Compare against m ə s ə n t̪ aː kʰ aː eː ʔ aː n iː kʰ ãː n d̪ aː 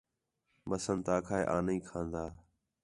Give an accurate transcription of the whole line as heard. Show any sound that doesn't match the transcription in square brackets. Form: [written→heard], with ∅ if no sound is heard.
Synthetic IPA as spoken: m ə s ə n t̪ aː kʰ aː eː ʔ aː n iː kʰ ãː n d̪ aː